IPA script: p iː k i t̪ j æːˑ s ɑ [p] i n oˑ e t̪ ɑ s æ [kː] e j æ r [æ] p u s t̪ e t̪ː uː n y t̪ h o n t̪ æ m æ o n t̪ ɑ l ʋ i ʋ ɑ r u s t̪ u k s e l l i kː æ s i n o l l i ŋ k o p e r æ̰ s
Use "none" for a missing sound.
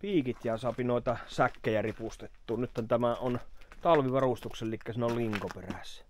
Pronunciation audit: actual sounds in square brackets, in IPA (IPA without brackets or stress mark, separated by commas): p, kː, i